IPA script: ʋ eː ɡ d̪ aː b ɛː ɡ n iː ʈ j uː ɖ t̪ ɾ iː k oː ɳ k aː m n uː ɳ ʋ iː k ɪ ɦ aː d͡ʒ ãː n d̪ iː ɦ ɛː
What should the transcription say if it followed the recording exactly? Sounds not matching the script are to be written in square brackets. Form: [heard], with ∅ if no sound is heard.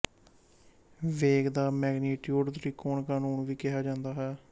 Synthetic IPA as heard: ʋ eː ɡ d̪ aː [m] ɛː ɡ n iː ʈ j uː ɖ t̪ ɾ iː k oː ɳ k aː [∅] n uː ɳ ʋ iː k ɪ ɦ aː d͡ʒ ãː n d̪ [aː] ɦ ɛː